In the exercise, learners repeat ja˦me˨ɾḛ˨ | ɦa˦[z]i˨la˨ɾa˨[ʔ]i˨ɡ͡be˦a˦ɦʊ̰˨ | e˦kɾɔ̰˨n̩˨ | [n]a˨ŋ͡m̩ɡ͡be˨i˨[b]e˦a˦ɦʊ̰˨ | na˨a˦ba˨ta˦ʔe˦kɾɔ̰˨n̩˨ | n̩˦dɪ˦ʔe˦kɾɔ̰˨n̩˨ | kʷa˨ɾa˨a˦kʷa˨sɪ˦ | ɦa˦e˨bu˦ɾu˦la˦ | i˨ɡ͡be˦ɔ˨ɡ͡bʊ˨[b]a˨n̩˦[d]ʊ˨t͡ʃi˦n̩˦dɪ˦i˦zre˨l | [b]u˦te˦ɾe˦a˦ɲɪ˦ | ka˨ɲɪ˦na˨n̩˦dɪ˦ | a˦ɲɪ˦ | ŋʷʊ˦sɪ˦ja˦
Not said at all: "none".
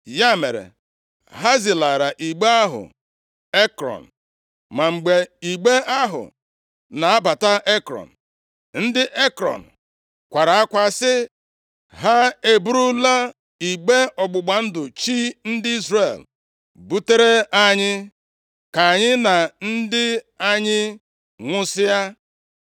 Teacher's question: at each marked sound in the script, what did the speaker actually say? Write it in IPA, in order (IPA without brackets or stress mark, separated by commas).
z, ʔ, m, ɡ͡b, ɡ͡b, d, b